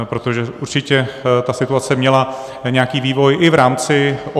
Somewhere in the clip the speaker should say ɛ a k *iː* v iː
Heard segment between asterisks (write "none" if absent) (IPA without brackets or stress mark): iː